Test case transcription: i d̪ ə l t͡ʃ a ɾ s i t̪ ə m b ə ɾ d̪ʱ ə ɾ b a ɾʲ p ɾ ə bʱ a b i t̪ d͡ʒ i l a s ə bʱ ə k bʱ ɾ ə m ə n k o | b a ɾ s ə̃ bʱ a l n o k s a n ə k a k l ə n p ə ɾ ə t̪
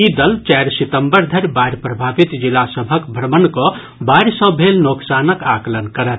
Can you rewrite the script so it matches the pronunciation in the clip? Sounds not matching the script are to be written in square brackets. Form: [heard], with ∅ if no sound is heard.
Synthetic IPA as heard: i d̪ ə l t͡ʃ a ɾ s i t̪ ə m b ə ɾ d̪ʱ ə ɾ b a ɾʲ p ɾ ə bʱ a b i t̪ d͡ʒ i l a s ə bʱ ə k bʱ ɾ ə m ə n k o | b a ɾ s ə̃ bʱ [e] l n o k s a n ə k a k l ə n [k] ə ɾ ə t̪